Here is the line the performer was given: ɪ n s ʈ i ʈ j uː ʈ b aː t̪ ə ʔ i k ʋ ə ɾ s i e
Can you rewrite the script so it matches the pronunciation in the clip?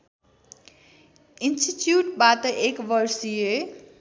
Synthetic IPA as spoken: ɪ n s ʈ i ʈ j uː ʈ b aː t̪ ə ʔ e k ʋ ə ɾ s i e

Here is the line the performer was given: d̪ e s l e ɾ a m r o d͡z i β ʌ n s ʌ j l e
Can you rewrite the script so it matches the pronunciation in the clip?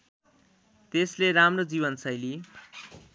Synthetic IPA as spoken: t̪ e s l e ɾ a m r o d͡z i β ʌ n s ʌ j l i

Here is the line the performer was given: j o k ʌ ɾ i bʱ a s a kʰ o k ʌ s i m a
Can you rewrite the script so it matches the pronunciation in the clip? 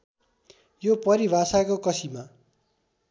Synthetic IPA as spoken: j o p ʌ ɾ i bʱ a s a k o k ʌ s i m a

